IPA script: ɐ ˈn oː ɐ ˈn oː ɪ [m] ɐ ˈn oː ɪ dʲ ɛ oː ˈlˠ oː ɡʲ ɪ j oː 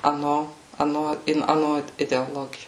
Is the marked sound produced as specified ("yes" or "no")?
no